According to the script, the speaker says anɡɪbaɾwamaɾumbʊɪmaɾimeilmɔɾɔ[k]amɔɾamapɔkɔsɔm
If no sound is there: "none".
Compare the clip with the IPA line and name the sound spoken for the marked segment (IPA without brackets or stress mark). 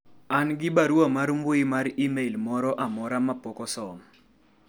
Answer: ʔ